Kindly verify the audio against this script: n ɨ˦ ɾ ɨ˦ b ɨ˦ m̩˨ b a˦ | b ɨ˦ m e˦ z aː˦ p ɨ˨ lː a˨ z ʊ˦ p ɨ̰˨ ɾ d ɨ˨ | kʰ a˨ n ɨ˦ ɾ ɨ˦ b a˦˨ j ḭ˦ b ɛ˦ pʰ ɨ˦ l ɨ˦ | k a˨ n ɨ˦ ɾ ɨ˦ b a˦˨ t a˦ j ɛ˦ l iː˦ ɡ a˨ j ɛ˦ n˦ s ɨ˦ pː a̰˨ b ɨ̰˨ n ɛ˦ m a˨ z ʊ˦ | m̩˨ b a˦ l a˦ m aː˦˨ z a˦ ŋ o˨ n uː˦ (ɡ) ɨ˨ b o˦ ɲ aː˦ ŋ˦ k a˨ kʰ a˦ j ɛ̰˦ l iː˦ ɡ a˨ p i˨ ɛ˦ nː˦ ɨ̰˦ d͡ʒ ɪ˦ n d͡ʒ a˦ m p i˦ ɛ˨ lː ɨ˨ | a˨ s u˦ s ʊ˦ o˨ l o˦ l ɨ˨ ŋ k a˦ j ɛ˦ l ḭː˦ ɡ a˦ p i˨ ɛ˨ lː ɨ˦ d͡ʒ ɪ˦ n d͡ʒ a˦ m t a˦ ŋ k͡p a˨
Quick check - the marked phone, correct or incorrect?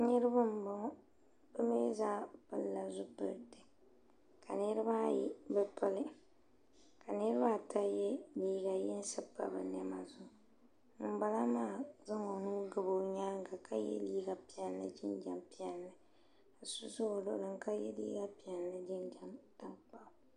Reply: correct